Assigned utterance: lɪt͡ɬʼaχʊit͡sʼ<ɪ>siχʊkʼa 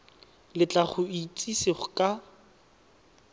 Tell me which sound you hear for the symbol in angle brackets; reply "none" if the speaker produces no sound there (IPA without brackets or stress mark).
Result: i